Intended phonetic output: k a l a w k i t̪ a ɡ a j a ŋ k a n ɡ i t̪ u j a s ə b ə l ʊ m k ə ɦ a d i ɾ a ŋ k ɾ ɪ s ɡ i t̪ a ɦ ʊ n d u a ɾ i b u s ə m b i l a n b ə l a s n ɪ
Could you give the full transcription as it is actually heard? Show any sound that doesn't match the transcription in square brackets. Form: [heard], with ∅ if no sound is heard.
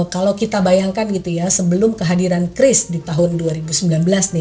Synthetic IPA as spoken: k a l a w k i t̪ a [b] a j a ŋ k a n ɡ i t̪ u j a s ə b ə l ʊ m k ə ɦ a d i ɾ a [n] k ɾ ɪ s [d] i t̪ a ɦ ʊ n d u a ɾ i b u s ə m b i l a n b ə l a s n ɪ